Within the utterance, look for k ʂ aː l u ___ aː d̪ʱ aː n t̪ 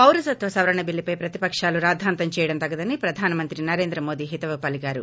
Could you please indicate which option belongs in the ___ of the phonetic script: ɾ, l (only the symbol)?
ɾ